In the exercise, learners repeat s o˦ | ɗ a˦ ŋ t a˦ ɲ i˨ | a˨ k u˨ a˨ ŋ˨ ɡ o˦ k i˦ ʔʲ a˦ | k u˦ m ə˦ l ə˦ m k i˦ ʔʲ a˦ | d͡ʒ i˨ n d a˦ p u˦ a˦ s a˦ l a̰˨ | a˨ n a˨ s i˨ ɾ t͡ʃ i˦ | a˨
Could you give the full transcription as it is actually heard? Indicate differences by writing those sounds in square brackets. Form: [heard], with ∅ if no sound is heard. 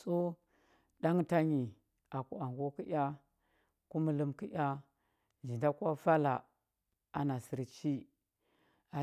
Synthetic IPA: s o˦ | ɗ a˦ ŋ t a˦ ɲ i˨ | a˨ k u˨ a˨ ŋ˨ ɡ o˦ k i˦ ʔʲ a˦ | k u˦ m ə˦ l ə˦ m k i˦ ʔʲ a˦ | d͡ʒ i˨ n d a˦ [k] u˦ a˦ [f] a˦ l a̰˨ | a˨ n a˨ s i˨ ɾ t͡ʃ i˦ | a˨